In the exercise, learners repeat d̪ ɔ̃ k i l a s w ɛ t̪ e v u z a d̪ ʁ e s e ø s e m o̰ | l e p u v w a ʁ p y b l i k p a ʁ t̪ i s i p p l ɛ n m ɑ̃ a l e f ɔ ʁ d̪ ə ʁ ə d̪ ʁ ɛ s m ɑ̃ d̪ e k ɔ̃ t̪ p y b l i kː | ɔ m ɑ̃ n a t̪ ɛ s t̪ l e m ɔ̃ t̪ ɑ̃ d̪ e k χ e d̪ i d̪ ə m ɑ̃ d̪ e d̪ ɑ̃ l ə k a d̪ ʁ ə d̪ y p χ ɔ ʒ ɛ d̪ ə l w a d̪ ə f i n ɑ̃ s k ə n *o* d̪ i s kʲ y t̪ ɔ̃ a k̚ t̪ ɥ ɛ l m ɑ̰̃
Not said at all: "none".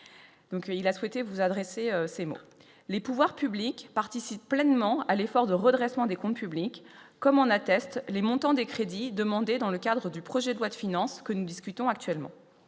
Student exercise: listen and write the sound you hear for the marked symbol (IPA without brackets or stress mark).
u